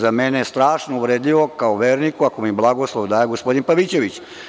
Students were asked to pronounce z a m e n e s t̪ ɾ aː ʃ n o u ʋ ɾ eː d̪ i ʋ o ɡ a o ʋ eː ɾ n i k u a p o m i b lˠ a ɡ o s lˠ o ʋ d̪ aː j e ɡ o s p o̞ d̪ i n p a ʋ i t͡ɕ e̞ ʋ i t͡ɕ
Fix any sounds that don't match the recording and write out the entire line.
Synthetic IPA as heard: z a m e n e s t̪ ɾ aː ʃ n o u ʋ ɾ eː d̪ i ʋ o k a o ʋ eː ɾ n i k u a k o m i b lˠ a ɡ o s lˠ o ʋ d̪ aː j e ɡ o s p o̞ d̪ i n p a ʋ i t͡ɕ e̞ ʋ i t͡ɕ